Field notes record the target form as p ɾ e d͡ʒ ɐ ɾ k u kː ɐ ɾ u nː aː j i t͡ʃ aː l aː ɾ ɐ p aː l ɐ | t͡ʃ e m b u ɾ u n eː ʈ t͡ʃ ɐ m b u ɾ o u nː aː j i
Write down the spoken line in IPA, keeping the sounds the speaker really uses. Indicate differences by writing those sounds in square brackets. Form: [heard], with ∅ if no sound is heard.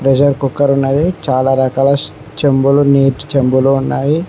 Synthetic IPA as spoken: p ɾ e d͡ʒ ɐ ɾ k u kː ɐ ɾ u nː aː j i t͡ʃ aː l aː ɾ ɐ [k] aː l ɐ | t͡ʃ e m b u [l] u n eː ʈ t͡ʃ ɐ m b u [l] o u nː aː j i